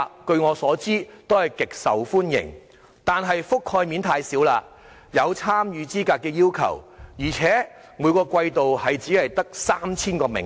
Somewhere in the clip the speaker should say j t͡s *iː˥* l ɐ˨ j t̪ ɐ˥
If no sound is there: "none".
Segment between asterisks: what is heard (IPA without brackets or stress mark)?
iː˨˥